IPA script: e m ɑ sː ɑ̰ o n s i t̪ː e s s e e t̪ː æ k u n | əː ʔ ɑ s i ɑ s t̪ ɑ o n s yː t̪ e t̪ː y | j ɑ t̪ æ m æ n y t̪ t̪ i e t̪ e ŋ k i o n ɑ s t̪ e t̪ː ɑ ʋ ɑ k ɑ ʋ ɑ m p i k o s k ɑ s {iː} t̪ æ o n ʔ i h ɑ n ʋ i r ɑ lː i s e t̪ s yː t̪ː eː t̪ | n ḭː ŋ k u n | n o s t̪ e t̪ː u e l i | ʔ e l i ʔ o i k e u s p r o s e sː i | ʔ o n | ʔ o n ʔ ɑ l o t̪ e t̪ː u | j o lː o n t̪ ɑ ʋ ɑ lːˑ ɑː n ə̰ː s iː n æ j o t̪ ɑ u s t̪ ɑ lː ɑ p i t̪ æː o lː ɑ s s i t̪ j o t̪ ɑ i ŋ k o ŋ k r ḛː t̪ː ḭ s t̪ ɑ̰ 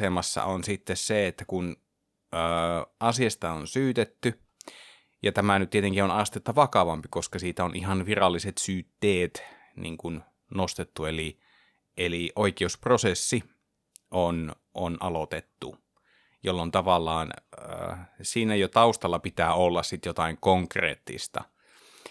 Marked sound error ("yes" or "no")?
no